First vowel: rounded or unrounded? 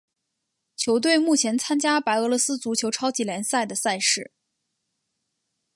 rounded